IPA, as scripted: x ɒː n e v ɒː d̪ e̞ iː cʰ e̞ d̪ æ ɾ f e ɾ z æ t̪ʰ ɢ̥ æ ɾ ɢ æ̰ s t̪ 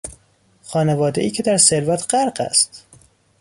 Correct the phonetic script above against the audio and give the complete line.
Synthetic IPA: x ɒː n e v ɒː d̪ e̞ iː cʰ e̞ d̪ æ ɾ s e ɾ v æ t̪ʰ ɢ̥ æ ɾ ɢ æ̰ s t̪